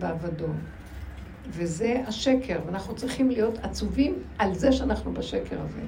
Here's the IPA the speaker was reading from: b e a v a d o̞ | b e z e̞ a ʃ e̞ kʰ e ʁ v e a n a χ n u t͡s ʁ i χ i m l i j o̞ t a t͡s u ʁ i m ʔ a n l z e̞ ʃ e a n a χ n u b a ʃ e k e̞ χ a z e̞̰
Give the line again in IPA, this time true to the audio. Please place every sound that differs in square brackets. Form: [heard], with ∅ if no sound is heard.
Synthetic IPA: b e a v a d o̞ | [v] e z e̞ a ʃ e̞ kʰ e ʁ v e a n a χ n u t͡s ʁ i χ i m l i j o̞ t a t͡s u [v] i m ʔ a [∅] l z e̞ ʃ e a n a χ n u b a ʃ e k e̞ [ʁ] a z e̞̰